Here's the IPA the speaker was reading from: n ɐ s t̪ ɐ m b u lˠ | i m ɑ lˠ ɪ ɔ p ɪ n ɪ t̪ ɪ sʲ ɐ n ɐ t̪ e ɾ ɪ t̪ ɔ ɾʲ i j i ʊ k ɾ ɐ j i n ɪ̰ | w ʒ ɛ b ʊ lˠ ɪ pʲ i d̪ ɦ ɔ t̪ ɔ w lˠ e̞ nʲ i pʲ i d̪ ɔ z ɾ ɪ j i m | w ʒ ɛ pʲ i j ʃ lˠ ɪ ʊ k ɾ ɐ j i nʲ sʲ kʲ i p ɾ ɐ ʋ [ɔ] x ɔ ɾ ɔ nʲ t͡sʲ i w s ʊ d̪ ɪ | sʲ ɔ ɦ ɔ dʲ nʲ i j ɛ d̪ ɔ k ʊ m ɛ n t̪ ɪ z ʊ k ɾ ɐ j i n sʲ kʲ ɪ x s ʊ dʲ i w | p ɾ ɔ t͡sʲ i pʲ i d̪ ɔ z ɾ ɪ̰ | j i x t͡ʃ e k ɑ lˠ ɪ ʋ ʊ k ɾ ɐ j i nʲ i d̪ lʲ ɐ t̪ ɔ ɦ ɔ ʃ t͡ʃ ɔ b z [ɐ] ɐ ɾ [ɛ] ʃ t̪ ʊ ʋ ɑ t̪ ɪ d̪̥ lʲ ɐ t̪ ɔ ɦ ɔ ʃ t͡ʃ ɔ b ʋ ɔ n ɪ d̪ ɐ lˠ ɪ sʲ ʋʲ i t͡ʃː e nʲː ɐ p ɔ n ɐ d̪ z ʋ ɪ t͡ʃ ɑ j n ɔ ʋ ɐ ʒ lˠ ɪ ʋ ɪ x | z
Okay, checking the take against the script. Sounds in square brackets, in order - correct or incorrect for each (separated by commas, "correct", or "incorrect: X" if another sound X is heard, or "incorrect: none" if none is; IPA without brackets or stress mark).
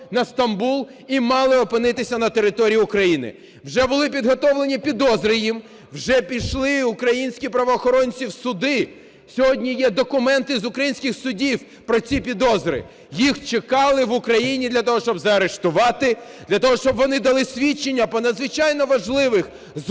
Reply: incorrect: ɔː, correct, incorrect: e